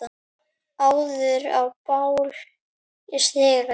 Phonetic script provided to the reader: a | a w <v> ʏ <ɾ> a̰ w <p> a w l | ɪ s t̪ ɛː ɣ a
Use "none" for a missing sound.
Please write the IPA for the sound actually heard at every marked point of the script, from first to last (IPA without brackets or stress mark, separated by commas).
ð, ɾ, p